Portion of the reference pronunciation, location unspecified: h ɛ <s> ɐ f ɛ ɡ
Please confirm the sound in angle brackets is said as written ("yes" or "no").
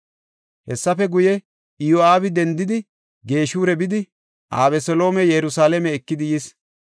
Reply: no